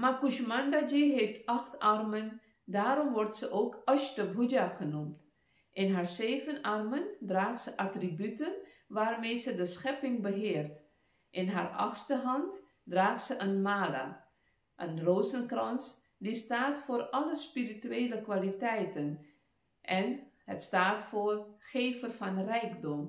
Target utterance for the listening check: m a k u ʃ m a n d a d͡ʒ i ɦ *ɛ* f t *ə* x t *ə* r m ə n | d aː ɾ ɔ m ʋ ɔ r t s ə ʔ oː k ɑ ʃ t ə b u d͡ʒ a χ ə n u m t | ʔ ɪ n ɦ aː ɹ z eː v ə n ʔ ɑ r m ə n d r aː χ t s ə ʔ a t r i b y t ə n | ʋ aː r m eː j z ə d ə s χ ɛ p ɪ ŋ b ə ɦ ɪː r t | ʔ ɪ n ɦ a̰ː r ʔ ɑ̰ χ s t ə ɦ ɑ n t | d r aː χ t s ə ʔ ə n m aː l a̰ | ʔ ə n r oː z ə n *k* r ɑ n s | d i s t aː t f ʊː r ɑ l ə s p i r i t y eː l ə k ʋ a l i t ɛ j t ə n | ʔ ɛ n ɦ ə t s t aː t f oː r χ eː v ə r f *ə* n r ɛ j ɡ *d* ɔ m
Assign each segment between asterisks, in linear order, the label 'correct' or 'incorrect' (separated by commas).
incorrect, incorrect, incorrect, correct, incorrect, correct